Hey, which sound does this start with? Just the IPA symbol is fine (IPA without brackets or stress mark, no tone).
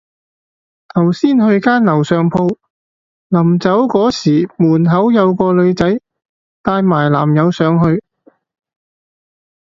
t̪ʰ